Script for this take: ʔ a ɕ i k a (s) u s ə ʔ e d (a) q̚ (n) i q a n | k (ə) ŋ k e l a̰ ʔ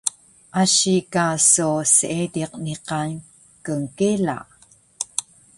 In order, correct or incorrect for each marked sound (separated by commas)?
correct, incorrect, correct, correct